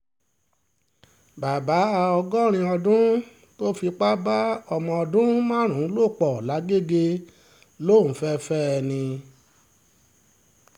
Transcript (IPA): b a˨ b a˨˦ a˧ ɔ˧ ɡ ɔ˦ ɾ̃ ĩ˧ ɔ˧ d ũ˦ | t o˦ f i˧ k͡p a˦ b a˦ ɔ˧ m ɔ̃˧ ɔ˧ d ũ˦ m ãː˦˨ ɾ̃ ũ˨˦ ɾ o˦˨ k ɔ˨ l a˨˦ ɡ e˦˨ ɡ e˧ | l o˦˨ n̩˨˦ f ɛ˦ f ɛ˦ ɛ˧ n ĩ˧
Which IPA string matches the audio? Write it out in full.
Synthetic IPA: b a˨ b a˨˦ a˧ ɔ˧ ɡ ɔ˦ ɾ̃ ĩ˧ ɔ˧ d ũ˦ | t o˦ f i˧ k͡p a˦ b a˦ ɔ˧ m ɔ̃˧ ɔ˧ d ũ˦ m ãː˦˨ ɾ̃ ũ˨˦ l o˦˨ k͡p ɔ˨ l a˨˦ ɡ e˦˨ ɡ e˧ | l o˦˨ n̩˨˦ f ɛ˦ f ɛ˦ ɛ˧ n ĩ˧